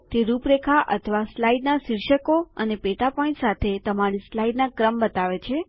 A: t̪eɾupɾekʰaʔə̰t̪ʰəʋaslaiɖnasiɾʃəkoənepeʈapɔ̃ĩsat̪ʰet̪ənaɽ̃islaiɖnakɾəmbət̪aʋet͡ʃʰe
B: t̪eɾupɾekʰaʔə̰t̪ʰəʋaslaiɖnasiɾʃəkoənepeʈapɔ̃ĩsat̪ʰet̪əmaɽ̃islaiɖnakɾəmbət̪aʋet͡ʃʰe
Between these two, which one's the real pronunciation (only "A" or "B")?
B